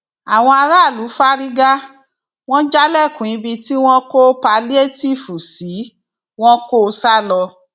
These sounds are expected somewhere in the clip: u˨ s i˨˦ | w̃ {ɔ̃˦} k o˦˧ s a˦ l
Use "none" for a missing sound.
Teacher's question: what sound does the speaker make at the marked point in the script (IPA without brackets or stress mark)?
ɔ̃˦